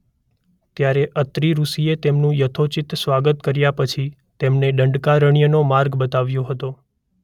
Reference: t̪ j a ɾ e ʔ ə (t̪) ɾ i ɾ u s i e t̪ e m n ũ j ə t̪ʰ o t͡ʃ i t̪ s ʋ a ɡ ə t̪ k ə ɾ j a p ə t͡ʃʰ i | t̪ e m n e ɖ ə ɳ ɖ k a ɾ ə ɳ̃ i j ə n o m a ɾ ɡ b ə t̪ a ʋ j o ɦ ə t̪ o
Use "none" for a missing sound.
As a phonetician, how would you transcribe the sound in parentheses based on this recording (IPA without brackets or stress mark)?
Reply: t̪